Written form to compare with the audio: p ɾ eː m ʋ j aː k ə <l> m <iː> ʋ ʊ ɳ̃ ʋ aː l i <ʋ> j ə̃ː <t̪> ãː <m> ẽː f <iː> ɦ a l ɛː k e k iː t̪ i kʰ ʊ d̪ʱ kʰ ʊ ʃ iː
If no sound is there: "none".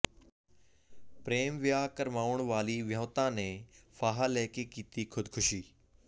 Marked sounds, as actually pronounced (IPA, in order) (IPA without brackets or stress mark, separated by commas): ɾ, aː, ʋ, t̪, n, aː